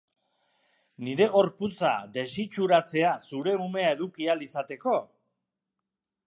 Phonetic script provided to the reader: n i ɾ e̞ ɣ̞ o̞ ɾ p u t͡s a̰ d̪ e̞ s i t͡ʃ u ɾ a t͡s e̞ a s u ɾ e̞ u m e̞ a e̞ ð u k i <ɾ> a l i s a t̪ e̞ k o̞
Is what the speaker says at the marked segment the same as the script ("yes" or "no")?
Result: no